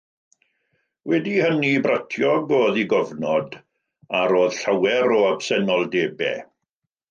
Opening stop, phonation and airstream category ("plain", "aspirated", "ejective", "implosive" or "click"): plain